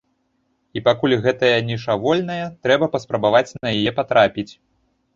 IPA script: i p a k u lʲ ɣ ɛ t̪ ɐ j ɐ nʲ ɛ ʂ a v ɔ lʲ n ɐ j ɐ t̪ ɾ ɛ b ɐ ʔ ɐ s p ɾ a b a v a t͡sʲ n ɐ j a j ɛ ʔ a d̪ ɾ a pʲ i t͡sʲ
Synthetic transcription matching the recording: i p a k u lʲ ɣ ɛ t̪ ɐ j ɐ nʲ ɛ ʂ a v ɔ lʲ n ɐ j ɐ t̪ ɾ ɛ b ɐ p ɐ s p ɾ ɐ b a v a t͡sʲ n ɐ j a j ɛ p a t̪ ɾ a pʲ i t͡sʲ